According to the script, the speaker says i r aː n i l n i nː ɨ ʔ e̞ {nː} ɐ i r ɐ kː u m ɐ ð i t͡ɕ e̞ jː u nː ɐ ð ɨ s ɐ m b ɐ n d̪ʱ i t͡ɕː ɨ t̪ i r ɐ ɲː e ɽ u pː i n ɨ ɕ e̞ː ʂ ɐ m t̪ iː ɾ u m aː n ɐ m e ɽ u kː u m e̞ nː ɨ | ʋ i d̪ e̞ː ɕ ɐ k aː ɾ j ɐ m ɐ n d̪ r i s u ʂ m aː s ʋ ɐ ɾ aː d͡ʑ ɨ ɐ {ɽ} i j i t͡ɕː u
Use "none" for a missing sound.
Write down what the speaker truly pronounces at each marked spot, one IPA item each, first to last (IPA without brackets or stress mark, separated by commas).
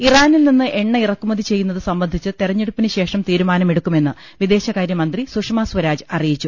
ɳː, r